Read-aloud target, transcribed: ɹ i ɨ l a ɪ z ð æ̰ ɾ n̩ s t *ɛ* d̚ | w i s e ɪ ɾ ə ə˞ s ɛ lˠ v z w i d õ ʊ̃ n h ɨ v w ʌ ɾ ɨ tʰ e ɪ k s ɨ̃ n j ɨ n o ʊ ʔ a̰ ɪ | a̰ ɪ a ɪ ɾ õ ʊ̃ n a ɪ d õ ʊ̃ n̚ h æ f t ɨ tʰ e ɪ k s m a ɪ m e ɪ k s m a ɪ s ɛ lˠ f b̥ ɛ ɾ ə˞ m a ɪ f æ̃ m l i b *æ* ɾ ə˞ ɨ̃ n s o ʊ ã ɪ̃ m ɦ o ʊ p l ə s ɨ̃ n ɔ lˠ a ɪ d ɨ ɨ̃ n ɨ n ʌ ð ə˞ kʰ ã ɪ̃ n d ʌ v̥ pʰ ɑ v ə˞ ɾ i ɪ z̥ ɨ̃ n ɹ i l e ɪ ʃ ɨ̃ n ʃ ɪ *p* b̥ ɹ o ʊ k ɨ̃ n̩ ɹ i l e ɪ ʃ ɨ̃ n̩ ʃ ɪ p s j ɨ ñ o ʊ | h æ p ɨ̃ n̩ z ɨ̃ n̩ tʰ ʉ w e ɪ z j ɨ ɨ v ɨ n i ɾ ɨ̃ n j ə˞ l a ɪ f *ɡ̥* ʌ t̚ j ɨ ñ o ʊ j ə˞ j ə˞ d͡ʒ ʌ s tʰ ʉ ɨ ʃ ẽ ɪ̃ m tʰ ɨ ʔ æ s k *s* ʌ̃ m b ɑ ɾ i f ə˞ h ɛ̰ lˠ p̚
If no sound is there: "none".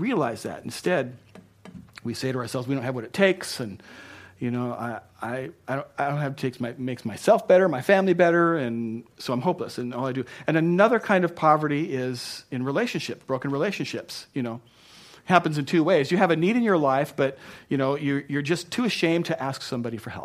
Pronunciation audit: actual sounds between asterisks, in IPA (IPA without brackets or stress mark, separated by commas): ɛ, ɛ, p, b̥, s